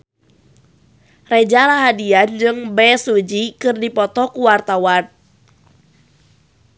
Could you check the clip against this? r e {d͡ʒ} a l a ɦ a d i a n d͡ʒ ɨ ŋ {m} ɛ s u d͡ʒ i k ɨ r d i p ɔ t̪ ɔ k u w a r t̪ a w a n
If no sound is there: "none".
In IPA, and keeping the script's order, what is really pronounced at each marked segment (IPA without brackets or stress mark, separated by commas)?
d͡ʒ, b